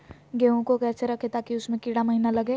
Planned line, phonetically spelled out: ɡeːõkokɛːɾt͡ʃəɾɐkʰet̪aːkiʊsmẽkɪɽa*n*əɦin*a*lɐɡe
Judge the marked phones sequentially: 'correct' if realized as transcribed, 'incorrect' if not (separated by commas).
incorrect, correct